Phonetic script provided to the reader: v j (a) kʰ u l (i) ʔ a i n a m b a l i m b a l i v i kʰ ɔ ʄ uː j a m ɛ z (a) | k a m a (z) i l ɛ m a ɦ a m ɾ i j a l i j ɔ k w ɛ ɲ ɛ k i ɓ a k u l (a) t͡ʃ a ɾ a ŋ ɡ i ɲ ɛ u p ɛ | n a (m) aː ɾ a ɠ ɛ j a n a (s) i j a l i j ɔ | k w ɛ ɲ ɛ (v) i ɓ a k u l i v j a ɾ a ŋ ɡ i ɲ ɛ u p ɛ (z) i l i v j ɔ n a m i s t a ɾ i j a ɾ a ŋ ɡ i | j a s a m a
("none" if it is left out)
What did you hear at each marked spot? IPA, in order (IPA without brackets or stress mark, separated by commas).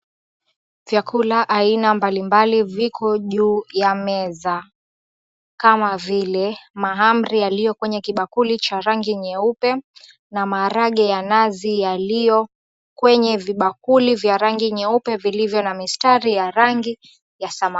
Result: a, a, a, v, i, m, z, v, v